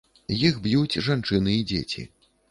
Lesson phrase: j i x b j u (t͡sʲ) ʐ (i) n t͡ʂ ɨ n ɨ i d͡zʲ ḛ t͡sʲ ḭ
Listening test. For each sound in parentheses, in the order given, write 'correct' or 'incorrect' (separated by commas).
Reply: correct, incorrect